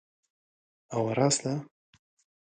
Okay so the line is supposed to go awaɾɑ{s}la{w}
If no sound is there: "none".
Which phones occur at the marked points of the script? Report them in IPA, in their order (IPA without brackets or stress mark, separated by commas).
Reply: s, none